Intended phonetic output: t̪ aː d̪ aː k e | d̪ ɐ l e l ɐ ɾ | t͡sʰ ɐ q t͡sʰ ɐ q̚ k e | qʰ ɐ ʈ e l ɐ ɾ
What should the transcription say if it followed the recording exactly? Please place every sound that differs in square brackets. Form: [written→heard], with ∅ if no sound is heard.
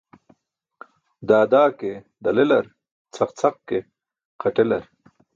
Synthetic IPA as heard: [t̪→d̪] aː d̪ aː k e | d̪ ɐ l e l ɐ ɾ | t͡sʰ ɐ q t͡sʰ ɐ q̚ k e | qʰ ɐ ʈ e l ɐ ɾ